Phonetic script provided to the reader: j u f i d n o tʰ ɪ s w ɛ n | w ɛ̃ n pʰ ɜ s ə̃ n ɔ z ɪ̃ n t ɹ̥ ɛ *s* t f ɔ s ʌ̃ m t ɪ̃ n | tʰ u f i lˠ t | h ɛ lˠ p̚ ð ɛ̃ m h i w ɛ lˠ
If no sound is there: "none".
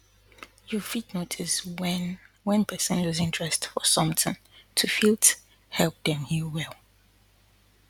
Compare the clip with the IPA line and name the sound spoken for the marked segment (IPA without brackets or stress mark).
s